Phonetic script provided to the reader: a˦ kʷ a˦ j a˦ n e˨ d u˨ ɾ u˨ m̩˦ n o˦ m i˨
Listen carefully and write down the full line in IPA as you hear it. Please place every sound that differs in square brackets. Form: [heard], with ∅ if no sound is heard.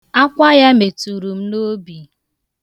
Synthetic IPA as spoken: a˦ kʷ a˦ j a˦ [m] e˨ [t] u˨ ɾ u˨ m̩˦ n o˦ [b] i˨